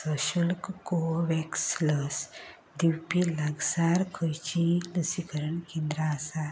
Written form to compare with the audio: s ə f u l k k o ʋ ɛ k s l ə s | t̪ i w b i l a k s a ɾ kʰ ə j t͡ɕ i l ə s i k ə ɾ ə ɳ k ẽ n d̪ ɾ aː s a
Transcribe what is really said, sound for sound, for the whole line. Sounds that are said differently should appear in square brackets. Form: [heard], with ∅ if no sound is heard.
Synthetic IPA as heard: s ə [ɕ] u l k k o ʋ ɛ k s l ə s | [d̪] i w [p] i l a [ɡ] s a ɾ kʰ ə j t͡ɕ i l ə s i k ə ɾ ə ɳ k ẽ n d̪ ɾ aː s a